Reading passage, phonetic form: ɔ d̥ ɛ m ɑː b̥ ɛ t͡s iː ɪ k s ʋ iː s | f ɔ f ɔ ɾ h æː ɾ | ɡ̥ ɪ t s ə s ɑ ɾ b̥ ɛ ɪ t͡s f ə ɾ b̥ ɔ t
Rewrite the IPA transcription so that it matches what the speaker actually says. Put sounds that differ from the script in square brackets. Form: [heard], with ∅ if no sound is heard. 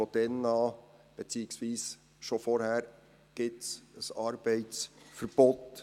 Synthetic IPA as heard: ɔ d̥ ɛ [n] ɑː b̥ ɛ t͡s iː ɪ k s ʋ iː s | [ʃ] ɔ f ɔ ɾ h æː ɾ | ɡ̥ ɪ t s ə s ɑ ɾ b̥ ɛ ɪ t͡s f ə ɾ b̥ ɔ t